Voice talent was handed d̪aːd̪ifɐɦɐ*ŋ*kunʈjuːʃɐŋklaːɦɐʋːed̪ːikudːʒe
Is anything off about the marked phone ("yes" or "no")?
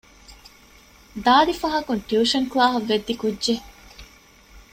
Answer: yes